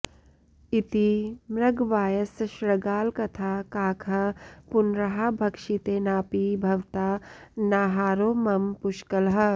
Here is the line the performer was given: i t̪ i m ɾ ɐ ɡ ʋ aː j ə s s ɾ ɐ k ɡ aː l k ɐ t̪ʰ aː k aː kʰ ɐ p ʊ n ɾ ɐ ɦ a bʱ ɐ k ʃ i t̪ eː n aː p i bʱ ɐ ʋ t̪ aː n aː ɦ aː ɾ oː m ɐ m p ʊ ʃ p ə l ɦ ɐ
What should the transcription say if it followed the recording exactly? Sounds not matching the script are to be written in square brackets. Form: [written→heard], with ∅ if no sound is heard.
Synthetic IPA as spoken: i t̪ i m ɾ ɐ ɡ ʋ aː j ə s [s→ʃ] ɾ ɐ [k→∅] ɡ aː l k ɐ t̪ʰ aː k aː kʰ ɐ p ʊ n ɾ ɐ ɦ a bʱ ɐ k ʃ i t̪ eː n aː p i bʱ ɐ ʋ t̪ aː n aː ɦ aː ɾ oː m ɐ m p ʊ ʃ [p→k] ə l ɦ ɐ